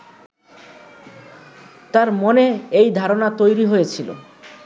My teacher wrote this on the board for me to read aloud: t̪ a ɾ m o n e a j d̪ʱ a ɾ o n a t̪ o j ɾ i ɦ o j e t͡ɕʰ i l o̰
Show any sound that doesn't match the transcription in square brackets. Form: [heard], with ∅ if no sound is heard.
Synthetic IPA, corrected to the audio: t̪ a ɾ m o n e [e] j d̪ʱ a ɾ o n a t̪ o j ɾ i ɦ o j e t͡ɕʰ i l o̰